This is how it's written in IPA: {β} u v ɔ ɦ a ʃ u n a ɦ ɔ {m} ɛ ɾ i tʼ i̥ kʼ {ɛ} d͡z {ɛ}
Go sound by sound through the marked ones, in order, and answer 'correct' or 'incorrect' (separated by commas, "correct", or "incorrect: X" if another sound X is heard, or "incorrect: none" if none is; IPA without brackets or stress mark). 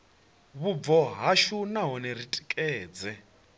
correct, incorrect: n, incorrect: ɛː, correct